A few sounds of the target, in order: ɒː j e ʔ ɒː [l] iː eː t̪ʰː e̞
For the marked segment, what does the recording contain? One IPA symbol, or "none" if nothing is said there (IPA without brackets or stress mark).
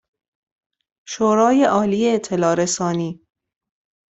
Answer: l